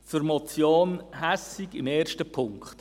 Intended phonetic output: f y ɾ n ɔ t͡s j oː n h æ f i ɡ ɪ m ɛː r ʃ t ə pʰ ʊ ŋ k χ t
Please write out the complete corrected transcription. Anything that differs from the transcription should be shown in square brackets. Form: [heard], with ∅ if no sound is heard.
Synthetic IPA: f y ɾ [m] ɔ t͡s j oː n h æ [s] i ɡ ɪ m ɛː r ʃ t ə pʰ ʊ ŋ k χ t

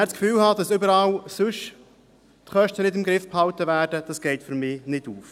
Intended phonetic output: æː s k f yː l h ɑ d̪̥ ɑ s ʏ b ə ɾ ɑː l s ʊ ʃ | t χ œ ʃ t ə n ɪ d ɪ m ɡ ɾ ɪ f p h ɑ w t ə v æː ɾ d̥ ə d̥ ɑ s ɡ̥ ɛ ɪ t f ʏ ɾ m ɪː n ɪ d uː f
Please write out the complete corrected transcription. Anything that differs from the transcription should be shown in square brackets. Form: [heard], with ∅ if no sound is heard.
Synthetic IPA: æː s k f yː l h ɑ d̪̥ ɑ s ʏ b ə ɾ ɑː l s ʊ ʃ | t χ œ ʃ t ə n ɪ d ɪ m ɡ ɾ ɪ f p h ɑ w t ə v æː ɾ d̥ ə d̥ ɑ s ɡ̥ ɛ ɪ t f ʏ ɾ m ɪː n ɪ d uː f

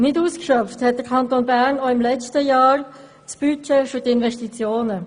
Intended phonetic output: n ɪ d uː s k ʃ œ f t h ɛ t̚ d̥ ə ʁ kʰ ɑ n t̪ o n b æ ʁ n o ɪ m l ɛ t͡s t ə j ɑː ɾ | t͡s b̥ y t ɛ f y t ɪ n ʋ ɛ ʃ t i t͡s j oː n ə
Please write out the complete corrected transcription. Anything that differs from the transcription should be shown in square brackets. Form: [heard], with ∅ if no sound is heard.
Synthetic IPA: n ɪ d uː s k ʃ œ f t h ɛ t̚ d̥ ə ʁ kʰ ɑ n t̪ o n b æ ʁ n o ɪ m l ɛ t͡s t ə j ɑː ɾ | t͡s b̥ y [t͡ʃ] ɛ f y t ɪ n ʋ ɛ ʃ t i t͡s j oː n ə

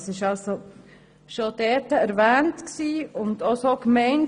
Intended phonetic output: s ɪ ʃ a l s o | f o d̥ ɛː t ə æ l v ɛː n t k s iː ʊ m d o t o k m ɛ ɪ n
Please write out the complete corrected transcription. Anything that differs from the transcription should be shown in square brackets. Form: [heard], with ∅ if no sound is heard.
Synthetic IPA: s ɪ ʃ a l s o | [ʃ] o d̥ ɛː t ə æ [ɾ] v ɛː n t k s iː ʊ [n] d o [s] o k m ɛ ɪ n

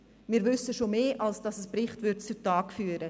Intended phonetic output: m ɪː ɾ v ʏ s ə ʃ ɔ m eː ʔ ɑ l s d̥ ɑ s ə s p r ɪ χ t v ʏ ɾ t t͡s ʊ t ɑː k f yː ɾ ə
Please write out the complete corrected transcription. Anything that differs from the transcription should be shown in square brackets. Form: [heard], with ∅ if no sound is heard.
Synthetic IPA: m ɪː ɾ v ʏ s ə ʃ [o] m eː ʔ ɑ l s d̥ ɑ s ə s p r ɪ χ t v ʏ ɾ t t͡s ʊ t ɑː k f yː ɾ ə

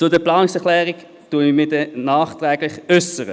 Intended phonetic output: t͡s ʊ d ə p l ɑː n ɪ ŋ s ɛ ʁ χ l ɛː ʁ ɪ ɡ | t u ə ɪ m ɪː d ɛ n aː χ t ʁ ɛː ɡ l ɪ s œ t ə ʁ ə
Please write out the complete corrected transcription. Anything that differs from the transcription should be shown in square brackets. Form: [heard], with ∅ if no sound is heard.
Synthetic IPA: t͡s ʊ d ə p l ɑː n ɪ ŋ s ɛ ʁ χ l ɛː ʁ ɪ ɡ | t u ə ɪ m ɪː d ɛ n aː χ t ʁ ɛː ɡ l ɪ [χ] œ [s] ə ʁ ə

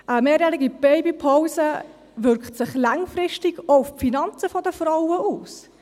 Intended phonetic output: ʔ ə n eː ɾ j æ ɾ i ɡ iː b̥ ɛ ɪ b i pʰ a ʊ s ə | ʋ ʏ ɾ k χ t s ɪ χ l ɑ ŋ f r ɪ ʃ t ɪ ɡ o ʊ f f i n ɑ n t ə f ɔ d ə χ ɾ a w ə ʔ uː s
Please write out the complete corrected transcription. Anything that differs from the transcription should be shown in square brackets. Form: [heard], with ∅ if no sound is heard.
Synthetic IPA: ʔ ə [m] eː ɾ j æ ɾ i ɡ [i] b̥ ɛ ɪ b i pʰ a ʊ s ə | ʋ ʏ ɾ k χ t s ɪ χ l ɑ ŋ f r ɪ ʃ t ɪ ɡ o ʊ f f i n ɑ n [t͡s] ə f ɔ d ə [f] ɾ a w ə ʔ uː s

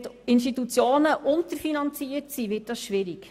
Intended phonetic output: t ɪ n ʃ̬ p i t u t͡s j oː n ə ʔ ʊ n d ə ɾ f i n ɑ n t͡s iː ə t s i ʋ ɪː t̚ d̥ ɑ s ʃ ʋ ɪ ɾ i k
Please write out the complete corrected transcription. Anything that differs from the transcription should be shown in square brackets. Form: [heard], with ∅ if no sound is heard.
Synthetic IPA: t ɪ n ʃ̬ [t] i t u t͡s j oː n ə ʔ ʊ n [t] ə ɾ f i n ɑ n t͡s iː ə t s i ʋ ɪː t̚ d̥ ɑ s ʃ ʋ ɪ ɾ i k

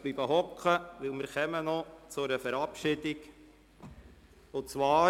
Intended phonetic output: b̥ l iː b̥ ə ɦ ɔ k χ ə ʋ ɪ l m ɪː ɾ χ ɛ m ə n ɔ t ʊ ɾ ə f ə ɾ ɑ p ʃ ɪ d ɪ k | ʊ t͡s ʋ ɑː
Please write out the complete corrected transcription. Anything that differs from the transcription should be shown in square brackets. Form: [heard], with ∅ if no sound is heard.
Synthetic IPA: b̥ l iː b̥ ə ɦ ɔ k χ ə ʋ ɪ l m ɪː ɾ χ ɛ m ə n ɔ [t͡s] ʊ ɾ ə f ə ɾ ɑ p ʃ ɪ d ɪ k | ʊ t͡s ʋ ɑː

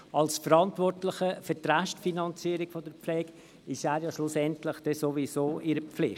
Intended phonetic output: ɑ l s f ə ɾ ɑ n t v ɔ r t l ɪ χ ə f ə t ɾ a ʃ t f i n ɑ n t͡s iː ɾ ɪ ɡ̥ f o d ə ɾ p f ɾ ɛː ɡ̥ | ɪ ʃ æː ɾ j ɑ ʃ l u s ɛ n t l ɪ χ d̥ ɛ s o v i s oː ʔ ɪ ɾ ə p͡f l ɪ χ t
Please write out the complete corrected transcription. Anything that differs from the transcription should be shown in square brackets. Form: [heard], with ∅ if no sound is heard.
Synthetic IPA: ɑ l s f ə ɾ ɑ n t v ɔ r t l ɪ χ ə f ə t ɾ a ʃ t f i n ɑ n t͡s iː ɾ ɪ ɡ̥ f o d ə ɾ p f [l] ɛː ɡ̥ | ɪ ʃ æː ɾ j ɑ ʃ l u s ɛ n t l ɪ χ d̥ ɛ s o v i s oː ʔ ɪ ɾ ə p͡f l ɪ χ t

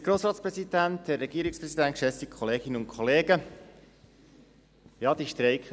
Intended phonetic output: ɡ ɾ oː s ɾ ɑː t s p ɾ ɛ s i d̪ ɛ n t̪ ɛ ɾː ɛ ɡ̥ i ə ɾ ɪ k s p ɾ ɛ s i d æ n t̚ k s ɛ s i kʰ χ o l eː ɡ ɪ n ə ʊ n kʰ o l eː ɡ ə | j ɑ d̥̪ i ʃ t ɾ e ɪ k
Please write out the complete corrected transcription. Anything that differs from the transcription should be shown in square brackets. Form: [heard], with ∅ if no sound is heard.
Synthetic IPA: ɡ ɾ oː s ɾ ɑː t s p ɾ ɛ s i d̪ [æ] n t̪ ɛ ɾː ɛ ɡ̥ i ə ɾ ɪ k s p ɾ ɛ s i d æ n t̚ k [ʃ] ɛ s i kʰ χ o l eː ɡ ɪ n ə ʊ n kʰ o l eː ɡ ə | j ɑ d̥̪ i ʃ t ɾ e ɪ k

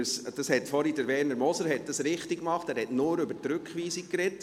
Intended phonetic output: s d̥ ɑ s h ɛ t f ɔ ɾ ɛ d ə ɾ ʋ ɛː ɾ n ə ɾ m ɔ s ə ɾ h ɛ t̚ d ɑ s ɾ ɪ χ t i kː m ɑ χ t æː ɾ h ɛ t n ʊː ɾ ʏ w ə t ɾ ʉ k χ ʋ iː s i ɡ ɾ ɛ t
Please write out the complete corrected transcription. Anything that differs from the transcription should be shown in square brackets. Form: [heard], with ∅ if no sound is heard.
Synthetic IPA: s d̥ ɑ s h ɛ t f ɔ ɾ [i] d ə ɾ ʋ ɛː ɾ n ə ɾ m ɔ s ə ɾ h ɛ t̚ d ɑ s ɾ ɪ χ t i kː m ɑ χ t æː ɾ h ɛ t n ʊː ɾ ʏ [b] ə t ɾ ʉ k χ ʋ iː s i [k] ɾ ɛ t

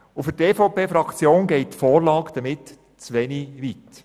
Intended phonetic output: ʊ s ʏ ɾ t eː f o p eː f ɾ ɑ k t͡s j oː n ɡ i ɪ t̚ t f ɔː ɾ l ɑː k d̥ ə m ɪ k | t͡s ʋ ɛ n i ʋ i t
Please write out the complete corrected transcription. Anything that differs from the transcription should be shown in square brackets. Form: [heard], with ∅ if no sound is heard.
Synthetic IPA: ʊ [f] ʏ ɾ t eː f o p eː f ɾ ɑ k t͡s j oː n ɡ [ɛ] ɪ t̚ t f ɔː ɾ l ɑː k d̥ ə m ɪ [t] | t͡s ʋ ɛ n i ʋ i t

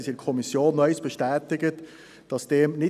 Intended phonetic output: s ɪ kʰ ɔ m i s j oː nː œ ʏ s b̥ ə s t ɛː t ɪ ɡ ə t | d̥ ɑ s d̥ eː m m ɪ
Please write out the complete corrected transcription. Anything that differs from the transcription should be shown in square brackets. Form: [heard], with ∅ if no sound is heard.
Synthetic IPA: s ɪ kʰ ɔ m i s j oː nː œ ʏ s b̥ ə [ʃ] t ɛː t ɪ ɡ ə t | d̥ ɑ s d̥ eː m [n] ɪ

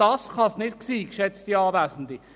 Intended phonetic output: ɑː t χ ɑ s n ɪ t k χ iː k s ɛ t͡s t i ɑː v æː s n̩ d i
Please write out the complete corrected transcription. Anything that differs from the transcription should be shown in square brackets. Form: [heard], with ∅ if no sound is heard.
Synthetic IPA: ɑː [s] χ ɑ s n ɪ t k [s] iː k [ʃ] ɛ t͡s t i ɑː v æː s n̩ d i

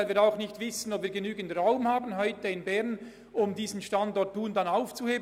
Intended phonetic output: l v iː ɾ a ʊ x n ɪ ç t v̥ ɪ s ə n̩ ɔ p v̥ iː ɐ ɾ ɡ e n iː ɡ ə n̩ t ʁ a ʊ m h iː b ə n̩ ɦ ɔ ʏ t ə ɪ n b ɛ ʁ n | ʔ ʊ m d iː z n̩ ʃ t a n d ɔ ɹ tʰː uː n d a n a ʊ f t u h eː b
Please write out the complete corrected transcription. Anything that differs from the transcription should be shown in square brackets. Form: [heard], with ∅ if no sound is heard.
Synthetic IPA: l v iː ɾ a ʊ x n ɪ ç t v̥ ɪ s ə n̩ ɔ p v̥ iː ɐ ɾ ɡ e n [yː] ɡ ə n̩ t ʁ a ʊ m h [aː] b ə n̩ ɦ ɔ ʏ t ə ɪ n b ɛ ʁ n | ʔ ʊ m d iː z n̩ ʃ t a n d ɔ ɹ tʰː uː n d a n a ʊ f [t͡s] u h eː b

